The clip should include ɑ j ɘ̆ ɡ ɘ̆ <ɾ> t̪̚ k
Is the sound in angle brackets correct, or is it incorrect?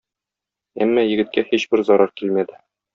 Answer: incorrect